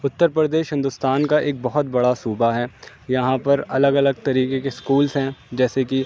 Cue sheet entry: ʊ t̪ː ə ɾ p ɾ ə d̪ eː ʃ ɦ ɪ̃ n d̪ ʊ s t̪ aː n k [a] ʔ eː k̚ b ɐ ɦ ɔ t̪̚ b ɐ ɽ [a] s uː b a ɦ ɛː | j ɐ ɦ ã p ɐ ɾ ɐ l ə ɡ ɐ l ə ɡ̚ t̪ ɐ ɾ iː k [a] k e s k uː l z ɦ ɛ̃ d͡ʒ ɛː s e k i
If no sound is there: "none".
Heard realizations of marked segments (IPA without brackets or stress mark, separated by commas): a, a, e